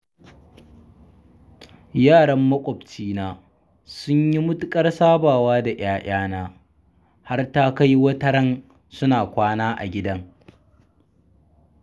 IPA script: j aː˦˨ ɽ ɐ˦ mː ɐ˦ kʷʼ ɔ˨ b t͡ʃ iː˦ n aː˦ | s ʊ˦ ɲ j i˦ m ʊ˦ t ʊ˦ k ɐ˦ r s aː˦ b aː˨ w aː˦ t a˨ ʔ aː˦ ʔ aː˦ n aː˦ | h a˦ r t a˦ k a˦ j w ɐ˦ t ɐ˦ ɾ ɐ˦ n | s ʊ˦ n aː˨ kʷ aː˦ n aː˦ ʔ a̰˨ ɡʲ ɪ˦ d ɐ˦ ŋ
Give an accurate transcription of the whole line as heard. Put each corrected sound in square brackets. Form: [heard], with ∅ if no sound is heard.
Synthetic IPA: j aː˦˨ ɽ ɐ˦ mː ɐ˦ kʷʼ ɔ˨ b t͡ʃ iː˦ n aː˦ | s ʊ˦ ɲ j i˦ m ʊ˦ t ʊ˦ [kʼ] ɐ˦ r s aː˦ b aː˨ w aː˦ [d] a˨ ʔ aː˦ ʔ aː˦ n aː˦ | h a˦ r t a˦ k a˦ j w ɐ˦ t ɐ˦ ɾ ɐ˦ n | s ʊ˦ n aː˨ kʷ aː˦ n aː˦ ʔ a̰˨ ɡʲ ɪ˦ d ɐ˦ ŋ